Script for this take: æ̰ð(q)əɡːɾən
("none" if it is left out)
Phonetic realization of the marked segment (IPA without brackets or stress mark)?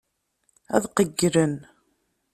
q